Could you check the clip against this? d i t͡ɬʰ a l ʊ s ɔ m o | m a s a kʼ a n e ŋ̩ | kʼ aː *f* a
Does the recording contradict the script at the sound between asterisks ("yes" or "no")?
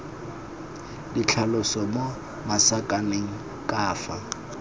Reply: no